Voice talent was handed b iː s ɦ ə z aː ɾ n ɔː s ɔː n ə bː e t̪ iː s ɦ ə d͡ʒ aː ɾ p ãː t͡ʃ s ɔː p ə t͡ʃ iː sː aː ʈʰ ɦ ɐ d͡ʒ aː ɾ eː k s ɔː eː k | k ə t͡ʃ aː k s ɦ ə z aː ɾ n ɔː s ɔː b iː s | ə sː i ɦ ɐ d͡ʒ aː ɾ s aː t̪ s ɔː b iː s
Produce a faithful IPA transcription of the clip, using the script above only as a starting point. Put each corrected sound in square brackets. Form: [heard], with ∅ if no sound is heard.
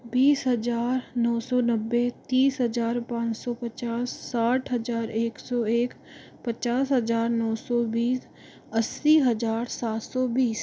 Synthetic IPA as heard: b iː s ɦ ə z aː ɾ n ɔː s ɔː n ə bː e t̪ iː s ɦ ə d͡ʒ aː ɾ p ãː t͡ʃ s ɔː p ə t͡ʃ [aː] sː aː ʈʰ ɦ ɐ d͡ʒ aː ɾ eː k s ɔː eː k | [p] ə t͡ʃ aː [∅] s ɦ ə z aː ɾ n ɔː s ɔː b iː s | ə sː i ɦ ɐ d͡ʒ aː ɾ s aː t̪ s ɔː b iː s